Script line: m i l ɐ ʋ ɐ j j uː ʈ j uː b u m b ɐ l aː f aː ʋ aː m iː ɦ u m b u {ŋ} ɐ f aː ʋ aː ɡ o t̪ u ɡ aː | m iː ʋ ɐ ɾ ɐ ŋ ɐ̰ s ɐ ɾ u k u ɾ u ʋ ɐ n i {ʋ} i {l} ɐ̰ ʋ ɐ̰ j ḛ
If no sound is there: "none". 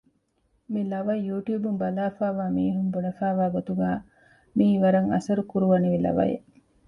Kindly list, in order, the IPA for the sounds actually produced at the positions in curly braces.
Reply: n, ʋ, l

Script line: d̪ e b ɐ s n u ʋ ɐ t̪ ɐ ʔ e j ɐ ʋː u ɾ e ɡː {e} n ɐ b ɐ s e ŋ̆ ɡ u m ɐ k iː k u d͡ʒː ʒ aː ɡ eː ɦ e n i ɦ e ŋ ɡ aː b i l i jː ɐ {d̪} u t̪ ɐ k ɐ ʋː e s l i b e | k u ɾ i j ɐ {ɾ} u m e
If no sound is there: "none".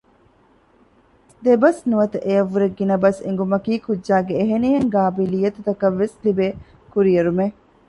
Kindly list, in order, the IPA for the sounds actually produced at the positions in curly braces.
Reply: i, t̪, ɾ

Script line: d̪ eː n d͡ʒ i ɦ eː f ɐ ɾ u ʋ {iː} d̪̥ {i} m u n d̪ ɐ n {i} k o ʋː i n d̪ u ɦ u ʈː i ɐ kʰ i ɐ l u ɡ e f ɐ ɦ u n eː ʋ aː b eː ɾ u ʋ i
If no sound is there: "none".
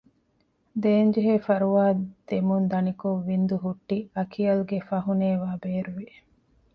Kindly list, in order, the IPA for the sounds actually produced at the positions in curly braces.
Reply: aː, e, i

